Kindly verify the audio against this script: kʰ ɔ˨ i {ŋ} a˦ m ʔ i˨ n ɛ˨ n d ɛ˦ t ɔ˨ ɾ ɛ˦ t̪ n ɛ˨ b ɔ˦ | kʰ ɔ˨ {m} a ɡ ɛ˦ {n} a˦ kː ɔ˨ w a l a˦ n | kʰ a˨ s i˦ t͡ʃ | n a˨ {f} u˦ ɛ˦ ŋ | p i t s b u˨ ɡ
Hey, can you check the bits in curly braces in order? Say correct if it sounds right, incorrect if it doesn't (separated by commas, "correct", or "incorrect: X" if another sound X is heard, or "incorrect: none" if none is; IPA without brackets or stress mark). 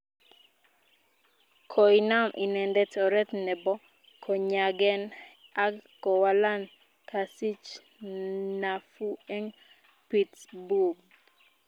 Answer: incorrect: n, incorrect: ɲ, correct, correct